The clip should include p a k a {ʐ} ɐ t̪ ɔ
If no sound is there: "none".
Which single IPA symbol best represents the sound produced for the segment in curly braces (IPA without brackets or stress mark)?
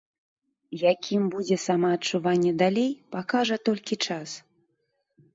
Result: ʐ